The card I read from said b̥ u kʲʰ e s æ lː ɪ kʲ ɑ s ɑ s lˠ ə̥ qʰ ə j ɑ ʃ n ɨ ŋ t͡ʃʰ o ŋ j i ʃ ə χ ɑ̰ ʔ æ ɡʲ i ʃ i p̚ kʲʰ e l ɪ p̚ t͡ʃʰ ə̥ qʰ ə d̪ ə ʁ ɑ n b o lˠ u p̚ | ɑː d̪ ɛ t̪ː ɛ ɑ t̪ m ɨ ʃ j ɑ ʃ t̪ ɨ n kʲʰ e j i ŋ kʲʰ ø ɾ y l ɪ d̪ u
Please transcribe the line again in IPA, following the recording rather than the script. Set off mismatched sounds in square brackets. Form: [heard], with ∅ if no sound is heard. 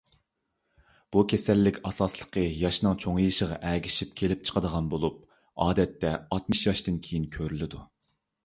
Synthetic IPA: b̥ u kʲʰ e s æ lː ɪ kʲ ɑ s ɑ s lˠ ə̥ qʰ ə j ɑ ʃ n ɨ ŋ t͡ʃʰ o ŋ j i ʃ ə [ʁ] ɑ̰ ʔ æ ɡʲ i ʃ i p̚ kʲʰ e l ɪ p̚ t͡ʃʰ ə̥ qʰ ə d̪ ə ʁ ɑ n b o lˠ u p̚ | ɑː d̪ ɛ t̪ː ɛ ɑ t̪ m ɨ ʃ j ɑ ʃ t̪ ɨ n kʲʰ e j i [n] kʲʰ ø ɾ y l ɪ d̪ u

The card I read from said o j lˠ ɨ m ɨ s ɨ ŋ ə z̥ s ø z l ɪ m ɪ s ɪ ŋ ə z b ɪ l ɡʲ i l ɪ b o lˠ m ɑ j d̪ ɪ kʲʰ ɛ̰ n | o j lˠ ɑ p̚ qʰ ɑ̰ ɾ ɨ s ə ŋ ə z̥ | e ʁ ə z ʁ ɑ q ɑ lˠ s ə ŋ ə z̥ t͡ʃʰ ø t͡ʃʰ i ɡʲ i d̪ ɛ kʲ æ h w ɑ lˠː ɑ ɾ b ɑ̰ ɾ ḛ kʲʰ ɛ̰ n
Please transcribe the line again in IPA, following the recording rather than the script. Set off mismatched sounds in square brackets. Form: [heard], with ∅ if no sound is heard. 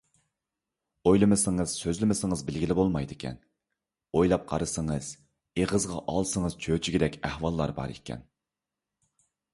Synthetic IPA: o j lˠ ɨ m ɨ s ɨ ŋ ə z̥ s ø z l ɪ m ɪ s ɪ ŋ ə z b ɪ l ɡʲ i l ɪ b o lˠ m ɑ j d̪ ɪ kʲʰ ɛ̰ n | o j lˠ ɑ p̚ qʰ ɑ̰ ɾ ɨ s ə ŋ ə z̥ | e ʁ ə z ʁ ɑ [ʔ] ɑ lˠ s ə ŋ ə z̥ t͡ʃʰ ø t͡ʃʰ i ɡʲ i d̪ ɛ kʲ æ h w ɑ lˠː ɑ ɾ b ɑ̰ ɾ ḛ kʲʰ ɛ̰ n

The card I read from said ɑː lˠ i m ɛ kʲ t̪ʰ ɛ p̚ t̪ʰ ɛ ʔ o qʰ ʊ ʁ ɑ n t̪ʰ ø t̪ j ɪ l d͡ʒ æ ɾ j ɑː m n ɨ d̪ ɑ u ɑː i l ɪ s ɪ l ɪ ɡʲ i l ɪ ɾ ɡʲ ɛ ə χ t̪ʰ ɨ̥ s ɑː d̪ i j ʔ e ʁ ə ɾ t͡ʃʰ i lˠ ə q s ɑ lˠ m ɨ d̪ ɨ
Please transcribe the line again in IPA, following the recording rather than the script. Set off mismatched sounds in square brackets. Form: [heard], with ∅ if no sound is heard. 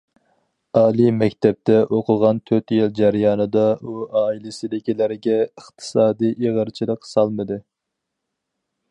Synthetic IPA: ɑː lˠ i m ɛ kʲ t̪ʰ ɛ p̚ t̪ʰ ɛ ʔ o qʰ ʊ ʁ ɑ n t̪ʰ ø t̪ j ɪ l d͡ʒ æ ɾ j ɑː [∅] n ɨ d̪ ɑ u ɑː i l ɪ s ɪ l ɪ [kʲ] i l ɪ ɾ ɡʲ ɛ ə χ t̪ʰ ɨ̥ s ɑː d̪ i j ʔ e ʁ ə ɾ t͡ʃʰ i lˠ ə q s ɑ lˠ m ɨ d̪ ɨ

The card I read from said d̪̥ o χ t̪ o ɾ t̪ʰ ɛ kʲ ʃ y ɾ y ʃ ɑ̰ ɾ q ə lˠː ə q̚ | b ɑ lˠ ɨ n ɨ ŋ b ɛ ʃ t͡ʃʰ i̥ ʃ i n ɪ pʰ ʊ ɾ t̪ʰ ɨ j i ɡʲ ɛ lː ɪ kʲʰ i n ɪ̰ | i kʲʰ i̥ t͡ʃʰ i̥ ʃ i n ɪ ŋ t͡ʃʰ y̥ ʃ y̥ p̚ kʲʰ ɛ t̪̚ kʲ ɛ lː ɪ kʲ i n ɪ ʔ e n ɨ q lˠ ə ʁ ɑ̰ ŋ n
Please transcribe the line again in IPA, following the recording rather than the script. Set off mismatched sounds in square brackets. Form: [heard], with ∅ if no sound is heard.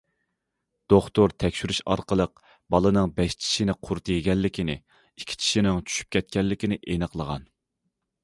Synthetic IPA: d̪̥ o χ t̪ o ɾ t̪ʰ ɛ kʲ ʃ y ɾ y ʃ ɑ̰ ɾ q ə [lˠ] ə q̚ | b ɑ lˠ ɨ n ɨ ŋ b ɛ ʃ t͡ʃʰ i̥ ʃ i n ɪ [qʰ] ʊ ɾ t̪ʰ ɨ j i ɡʲ ɛ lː ɪ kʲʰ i n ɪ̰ | i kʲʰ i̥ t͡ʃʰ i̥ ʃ i n ɪ ŋ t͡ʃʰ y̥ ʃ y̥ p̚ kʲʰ ɛ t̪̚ kʲ ɛ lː ɪ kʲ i n ɪ ʔ e n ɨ q lˠ ə ʁ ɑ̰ [∅] n

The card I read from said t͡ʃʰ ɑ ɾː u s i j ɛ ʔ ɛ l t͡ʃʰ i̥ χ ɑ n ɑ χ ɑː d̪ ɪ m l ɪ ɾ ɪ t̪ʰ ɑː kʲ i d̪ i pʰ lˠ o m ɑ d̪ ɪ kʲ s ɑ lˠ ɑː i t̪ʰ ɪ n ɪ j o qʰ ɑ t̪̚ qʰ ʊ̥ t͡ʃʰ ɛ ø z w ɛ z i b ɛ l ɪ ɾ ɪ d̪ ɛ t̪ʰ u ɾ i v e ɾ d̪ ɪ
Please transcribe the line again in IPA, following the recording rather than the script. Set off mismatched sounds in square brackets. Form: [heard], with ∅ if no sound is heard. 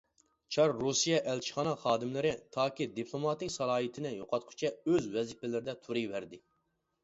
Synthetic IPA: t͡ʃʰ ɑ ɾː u s i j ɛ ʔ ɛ l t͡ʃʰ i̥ χ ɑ n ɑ χ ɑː d̪ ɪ m l ɪ ɾ ɪ t̪ʰ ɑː kʲ i d̪ i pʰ lˠ o m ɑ [t̪] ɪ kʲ s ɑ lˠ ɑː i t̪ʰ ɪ n ɪ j o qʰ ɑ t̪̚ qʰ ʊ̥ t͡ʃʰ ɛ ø z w ɛ z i [p] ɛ l ɪ ɾ ɪ d̪ ɛ t̪ʰ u ɾ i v [æ] ɾ d̪ ɪ

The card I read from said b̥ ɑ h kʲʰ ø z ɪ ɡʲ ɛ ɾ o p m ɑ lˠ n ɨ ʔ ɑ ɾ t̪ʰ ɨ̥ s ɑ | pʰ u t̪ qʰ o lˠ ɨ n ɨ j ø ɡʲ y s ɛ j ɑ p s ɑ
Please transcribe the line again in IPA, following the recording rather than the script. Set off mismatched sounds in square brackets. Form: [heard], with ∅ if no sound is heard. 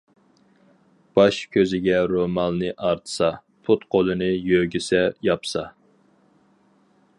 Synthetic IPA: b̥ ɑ [ʃ] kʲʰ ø z ɪ ɡʲ ɛ ɾ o [∅] m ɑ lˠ n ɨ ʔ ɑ ɾ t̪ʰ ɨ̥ s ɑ | pʰ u t̪ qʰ o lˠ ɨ n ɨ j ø ɡʲ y s ɛ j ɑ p s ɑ

